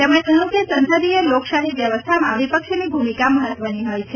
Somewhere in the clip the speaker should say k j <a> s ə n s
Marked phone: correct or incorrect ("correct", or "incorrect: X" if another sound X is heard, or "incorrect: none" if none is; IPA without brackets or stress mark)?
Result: incorrect: ə